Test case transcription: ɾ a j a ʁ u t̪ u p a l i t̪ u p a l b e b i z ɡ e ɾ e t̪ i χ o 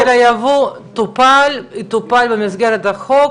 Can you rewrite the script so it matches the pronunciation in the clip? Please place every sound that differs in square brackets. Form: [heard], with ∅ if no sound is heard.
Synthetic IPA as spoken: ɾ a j a [v] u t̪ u p a l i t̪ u p a l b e [m] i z ɡ e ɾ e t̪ [a] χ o